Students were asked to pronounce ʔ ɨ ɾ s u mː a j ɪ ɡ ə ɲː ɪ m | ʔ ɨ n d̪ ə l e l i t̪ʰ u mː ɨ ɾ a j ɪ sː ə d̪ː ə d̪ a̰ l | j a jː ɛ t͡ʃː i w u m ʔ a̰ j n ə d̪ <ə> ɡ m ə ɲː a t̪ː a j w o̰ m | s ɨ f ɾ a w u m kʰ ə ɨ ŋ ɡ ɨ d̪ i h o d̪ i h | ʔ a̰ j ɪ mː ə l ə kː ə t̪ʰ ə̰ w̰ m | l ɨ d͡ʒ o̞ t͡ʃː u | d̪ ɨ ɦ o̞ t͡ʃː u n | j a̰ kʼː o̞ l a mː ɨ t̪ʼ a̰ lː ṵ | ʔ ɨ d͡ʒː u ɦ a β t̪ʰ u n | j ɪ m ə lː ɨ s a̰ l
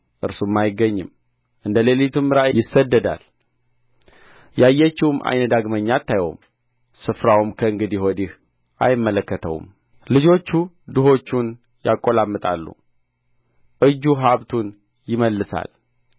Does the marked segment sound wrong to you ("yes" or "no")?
yes